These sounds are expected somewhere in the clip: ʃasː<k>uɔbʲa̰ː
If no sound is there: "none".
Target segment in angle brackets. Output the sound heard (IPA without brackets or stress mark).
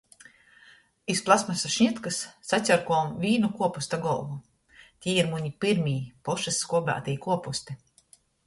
k